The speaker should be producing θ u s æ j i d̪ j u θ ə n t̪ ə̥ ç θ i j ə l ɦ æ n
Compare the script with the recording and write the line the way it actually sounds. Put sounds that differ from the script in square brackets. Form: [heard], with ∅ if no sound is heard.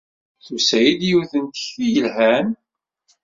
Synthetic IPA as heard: θ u s æ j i d̪ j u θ ə n t̪ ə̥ ç θ i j ə l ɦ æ n